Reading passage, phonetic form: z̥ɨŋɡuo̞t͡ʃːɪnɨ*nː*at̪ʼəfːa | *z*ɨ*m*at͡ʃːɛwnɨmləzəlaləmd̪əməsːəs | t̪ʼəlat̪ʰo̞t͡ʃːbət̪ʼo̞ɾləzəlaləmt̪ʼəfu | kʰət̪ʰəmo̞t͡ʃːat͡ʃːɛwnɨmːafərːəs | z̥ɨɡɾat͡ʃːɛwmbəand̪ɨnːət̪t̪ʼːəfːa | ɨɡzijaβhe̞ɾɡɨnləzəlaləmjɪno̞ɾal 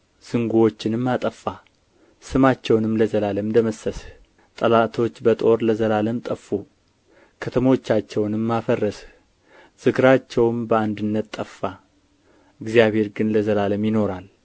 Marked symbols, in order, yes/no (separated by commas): no, no, yes